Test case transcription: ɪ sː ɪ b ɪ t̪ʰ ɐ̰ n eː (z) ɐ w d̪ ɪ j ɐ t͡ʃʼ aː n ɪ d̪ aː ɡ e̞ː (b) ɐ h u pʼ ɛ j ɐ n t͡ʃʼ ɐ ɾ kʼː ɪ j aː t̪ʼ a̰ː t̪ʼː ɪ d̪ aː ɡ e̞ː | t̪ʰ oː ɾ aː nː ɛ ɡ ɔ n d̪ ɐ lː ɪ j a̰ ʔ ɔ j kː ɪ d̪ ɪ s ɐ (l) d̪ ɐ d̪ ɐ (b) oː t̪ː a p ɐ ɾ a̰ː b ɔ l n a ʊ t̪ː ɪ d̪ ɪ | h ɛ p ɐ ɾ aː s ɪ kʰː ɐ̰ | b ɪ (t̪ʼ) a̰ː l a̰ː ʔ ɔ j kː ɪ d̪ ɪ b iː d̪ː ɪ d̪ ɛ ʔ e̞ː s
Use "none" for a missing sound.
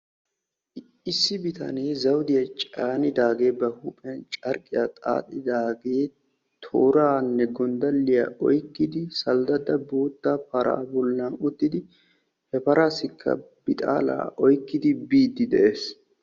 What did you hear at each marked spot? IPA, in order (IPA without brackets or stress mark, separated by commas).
z, b, l, b, t̪ʼ